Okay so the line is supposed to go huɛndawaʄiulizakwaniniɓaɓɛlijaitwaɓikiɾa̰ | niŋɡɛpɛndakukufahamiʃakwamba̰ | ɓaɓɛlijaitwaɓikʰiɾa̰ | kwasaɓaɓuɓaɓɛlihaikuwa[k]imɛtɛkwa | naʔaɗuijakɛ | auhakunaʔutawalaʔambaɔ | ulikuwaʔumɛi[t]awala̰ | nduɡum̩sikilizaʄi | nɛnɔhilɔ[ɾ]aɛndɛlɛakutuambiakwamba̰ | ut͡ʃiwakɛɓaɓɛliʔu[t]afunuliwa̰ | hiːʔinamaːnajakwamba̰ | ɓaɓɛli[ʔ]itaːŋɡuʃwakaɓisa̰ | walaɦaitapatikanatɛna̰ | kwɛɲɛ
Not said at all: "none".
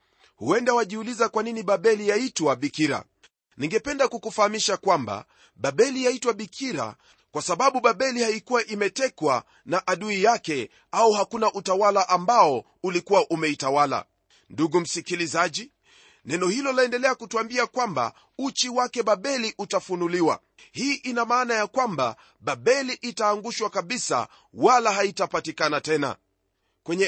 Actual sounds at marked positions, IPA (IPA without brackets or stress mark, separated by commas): ʔ, t, l, t, ʔ